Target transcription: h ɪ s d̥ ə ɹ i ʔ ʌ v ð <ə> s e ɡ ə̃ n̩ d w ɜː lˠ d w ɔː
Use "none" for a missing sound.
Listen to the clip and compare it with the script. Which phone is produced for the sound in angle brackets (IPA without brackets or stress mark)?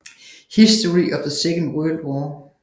ə